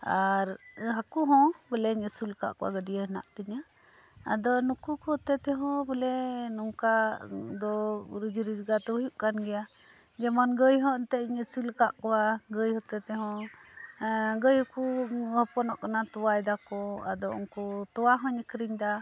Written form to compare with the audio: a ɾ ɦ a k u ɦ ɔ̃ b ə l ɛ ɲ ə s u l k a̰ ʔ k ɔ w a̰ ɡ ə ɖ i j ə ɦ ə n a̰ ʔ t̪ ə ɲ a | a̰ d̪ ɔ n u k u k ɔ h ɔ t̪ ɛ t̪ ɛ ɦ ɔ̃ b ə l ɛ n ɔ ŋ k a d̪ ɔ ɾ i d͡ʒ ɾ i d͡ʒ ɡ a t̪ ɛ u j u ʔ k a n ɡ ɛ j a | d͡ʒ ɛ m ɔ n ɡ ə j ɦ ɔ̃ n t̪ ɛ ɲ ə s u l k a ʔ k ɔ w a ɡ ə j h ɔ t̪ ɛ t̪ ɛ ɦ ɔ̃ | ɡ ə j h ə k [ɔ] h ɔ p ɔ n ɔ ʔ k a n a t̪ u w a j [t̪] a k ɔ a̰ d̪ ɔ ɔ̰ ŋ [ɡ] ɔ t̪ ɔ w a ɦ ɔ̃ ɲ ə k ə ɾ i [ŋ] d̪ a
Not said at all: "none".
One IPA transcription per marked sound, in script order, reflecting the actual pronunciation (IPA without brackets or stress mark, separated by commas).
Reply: u, d̪, k, ɲ